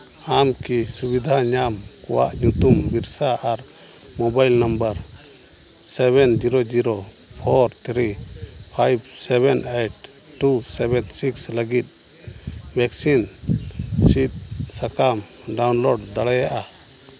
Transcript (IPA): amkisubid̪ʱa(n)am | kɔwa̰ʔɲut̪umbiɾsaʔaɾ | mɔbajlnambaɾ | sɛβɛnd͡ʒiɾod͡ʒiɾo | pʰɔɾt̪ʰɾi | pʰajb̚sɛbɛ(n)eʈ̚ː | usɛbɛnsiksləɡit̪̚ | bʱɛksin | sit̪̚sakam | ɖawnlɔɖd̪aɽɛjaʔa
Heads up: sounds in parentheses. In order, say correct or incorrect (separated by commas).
incorrect, correct